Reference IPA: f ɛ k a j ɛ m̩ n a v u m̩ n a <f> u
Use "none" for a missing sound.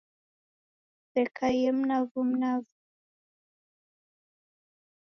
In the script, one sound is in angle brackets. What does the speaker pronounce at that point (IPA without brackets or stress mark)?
v